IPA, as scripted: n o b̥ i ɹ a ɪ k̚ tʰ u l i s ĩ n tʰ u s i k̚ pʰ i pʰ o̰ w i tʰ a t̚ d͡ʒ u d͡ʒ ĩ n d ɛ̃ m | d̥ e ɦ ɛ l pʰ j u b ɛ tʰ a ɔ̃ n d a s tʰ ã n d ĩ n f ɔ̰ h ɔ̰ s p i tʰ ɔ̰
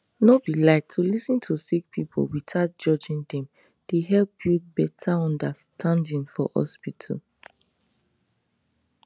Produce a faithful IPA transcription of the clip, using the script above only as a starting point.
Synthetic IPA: n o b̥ i l a ɪ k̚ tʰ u l i s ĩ n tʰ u s i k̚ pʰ i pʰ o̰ w i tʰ a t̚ d͡ʒ ɔ d͡ʒ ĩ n d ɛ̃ m | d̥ e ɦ ɛ l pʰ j u b ɛ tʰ a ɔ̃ n d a s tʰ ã n d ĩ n f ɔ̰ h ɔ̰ s p i tʰ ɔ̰